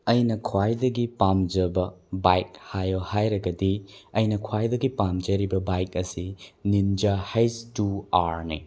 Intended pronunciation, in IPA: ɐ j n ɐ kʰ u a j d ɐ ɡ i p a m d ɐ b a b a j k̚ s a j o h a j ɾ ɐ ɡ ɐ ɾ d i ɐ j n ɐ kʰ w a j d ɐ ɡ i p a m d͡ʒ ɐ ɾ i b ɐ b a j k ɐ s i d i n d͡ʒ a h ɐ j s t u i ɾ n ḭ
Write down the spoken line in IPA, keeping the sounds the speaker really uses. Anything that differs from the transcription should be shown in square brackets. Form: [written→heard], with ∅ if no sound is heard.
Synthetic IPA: ɐ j n ɐ kʰ [u→w] a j d ɐ ɡ i p a m [d→d͡ʒ] ɐ b [a→ɐ] b a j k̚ [s→h] a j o h a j ɾ ɐ ɡ ɐ [ɾ→∅] d i ɐ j n ɐ kʰ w a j d ɐ ɡ i p a m d͡ʒ ɐ ɾ i b ɐ b a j k ɐ s i [d→n] i n d͡ʒ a h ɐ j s t u [i→a] ɾ n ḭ